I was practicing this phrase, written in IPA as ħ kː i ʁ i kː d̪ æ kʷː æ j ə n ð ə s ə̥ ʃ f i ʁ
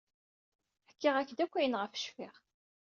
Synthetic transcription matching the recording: ħ kː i ʁ æ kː d̪ æ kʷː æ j ə n ʁ ə f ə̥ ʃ f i ʁ